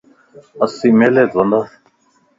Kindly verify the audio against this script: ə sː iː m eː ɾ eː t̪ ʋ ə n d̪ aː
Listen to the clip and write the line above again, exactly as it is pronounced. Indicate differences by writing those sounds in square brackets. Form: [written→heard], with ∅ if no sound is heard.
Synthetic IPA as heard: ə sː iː m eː [ɾ→l] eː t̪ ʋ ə n d̪ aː